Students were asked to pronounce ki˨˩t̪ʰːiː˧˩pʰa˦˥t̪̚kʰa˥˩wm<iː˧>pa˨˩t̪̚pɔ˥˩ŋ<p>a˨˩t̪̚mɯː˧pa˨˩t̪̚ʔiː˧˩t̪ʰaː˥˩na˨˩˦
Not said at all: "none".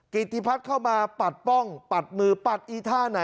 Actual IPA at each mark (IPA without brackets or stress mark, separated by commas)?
aː˧, p